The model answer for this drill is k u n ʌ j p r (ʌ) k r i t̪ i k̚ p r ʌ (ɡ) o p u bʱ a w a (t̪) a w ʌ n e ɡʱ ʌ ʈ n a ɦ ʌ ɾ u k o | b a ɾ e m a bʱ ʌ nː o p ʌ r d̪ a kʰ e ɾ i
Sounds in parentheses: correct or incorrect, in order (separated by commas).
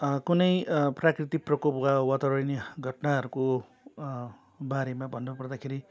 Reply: incorrect, incorrect, correct